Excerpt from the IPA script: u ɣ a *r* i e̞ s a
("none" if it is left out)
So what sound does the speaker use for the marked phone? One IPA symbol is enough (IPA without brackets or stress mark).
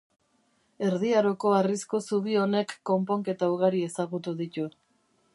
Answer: ɾ